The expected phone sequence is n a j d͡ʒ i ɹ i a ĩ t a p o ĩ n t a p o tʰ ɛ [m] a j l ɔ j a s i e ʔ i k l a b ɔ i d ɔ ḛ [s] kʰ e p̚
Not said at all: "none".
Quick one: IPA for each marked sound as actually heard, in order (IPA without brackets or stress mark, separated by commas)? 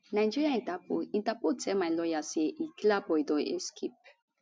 m, s